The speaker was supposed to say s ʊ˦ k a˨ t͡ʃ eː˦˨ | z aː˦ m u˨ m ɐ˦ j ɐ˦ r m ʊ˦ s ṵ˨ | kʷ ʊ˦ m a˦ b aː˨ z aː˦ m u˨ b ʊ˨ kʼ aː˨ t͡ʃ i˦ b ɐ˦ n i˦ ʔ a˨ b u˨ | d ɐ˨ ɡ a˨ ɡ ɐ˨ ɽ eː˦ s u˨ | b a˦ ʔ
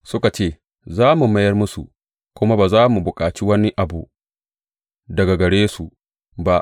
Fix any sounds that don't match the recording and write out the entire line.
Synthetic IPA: s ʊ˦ k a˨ t͡ʃ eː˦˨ | z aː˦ m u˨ m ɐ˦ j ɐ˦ r m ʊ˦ s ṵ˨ | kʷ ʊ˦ m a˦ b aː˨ z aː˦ m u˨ b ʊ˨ kʼ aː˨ t͡ʃ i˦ w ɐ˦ n i˦ ʔ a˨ b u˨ | d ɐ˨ ɡ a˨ ɡ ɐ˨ ɽ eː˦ s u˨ | b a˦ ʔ

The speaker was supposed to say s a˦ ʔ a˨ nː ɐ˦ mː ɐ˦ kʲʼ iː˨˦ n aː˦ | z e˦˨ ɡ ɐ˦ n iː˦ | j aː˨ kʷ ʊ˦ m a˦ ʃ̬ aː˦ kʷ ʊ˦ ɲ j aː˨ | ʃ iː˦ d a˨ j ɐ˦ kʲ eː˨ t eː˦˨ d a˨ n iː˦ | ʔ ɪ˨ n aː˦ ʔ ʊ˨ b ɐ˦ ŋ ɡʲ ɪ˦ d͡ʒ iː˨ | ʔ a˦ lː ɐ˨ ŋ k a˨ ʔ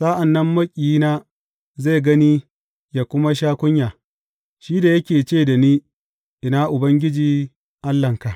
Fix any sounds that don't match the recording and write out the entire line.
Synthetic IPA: s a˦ ʔ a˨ nː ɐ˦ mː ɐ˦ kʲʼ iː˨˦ n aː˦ | z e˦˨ ɡ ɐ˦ n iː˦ | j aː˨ kʷ ʊ˦ m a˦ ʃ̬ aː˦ kʷ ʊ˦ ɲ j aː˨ | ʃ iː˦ d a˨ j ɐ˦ kʲ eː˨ t͡ʃ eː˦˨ d a˨ n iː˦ | ʔ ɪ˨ n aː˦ ʔ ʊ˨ b ɐ˦ ŋ ɡʲ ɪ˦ d͡ʒ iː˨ | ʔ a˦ lː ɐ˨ ŋ k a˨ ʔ

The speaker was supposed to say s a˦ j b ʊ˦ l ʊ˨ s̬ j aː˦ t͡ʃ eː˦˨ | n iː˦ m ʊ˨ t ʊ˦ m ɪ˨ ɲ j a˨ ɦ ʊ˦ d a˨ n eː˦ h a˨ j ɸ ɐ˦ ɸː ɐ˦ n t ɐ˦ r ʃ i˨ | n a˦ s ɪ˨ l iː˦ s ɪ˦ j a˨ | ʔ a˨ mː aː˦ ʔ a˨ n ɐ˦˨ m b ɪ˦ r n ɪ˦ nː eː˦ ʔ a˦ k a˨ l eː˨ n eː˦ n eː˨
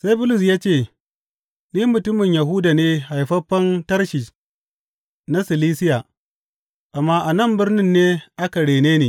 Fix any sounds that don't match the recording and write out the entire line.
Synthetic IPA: s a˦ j b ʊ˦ l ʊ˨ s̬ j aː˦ t͡ʃ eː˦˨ | n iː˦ m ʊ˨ t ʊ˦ m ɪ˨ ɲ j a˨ ɦ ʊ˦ d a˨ n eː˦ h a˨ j ɸ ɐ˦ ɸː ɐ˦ n t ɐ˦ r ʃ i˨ | n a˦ s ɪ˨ l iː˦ s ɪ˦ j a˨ | ʔ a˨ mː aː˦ ʔ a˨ n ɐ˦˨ m b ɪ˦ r n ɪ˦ nː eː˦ ʔ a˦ k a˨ ɽ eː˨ n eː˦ n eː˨

